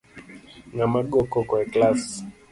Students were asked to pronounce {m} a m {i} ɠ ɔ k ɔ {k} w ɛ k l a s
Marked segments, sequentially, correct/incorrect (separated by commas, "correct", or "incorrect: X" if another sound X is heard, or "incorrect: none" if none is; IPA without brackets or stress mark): incorrect: ŋ, incorrect: a, correct